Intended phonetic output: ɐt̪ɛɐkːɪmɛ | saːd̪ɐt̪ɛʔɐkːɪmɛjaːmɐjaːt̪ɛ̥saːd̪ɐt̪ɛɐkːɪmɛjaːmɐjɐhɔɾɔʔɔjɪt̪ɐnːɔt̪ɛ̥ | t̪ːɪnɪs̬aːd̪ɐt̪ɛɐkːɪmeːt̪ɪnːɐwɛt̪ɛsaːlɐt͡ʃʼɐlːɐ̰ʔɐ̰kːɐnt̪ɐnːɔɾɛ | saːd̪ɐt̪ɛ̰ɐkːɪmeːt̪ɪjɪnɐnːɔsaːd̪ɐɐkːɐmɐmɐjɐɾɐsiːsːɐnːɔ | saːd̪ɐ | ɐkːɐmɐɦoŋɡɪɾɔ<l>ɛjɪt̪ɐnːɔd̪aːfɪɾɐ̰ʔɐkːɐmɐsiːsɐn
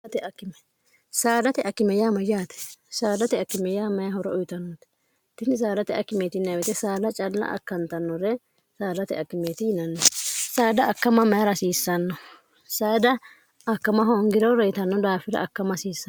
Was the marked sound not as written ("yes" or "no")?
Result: yes